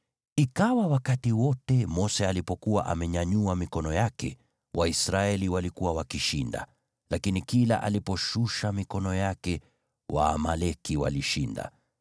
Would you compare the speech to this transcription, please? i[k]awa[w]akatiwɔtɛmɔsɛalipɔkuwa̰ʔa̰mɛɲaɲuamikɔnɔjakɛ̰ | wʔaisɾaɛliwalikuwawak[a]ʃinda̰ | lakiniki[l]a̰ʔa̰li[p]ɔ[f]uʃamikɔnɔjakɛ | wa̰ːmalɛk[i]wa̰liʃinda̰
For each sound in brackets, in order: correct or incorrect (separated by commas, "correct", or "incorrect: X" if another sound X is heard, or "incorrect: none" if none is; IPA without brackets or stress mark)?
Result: correct, correct, incorrect: i, correct, correct, incorrect: ʃ, correct